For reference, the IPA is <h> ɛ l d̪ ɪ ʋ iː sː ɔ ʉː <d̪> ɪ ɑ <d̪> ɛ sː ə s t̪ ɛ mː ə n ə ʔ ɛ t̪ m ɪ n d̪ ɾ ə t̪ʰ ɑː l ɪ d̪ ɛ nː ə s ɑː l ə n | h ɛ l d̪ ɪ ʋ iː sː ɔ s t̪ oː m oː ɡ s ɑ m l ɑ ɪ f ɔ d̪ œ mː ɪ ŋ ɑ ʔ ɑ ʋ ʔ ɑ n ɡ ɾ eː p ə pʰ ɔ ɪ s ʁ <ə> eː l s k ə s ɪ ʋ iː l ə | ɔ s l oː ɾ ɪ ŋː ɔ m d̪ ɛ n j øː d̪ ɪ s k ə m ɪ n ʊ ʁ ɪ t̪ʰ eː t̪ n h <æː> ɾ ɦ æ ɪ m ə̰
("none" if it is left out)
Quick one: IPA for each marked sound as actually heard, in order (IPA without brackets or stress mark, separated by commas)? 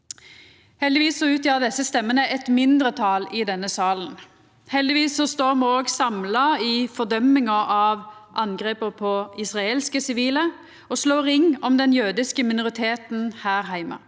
h, t̪, d̪, ɑ, æː